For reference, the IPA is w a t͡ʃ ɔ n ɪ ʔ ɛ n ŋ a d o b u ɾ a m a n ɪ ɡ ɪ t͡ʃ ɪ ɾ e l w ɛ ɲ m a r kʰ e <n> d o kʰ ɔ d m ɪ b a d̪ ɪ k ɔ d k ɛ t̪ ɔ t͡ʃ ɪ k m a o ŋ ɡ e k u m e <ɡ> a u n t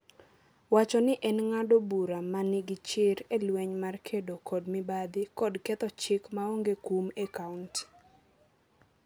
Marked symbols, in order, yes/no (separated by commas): no, no